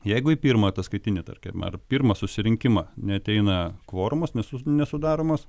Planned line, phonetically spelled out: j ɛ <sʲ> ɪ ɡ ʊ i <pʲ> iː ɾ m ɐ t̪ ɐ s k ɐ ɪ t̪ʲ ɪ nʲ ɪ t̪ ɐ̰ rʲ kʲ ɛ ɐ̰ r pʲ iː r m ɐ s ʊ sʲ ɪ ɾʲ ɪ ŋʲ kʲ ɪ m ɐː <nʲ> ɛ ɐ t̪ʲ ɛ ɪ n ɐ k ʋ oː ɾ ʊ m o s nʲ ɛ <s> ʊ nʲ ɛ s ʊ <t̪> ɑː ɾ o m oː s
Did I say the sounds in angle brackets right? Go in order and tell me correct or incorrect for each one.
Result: incorrect, correct, correct, correct, incorrect

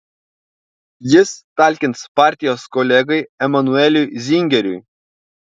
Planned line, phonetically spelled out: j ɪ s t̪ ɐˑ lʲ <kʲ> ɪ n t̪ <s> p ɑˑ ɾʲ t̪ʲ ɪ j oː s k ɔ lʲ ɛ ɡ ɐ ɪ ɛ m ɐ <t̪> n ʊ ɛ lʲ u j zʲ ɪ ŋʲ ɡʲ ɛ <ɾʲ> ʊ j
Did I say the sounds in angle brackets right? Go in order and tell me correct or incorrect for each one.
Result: correct, correct, incorrect, correct

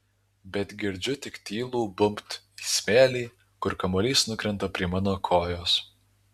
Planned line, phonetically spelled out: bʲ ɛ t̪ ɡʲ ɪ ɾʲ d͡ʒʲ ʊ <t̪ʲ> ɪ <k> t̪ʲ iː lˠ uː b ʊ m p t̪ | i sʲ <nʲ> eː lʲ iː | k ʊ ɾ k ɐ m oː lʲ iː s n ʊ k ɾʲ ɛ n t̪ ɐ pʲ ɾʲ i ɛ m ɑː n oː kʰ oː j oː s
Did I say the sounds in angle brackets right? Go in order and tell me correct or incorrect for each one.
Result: correct, correct, incorrect

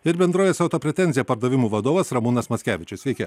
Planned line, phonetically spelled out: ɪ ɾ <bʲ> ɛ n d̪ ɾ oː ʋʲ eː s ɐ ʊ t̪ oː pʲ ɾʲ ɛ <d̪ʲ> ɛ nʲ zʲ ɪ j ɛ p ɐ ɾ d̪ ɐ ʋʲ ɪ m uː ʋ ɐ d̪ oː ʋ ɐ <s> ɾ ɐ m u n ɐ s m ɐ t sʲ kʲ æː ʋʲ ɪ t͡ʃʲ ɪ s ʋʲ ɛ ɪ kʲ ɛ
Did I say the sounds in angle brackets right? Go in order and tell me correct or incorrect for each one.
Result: correct, incorrect, correct

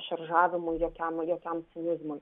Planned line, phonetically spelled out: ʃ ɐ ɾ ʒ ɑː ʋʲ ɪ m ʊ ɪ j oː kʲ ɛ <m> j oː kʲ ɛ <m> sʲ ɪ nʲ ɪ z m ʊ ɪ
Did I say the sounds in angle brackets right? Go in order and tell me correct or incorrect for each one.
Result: correct, correct

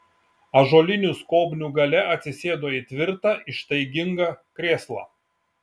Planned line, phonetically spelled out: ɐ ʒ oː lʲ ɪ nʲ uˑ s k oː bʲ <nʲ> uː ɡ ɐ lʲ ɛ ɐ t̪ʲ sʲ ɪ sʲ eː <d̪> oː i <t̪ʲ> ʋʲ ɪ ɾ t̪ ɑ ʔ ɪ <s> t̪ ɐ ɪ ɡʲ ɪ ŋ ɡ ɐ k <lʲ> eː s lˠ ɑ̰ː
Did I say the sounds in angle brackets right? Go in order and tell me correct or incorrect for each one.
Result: correct, correct, correct, incorrect, incorrect

